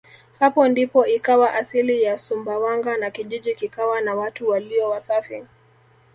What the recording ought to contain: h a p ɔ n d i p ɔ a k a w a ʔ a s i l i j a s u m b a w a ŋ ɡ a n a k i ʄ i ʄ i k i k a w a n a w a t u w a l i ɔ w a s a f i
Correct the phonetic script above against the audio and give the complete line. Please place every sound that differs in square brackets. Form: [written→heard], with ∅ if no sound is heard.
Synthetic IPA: h a p ɔ n d i p ɔ [a→i] k a w a ʔ a s i l i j a s u m b a w a ŋ ɡ a n a k i ʄ i ʄ i k i k a w a n a w a t u w a l i ɔ w a s a f i